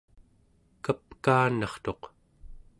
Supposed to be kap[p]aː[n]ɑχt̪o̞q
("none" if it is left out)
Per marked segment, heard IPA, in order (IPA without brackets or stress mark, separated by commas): k, n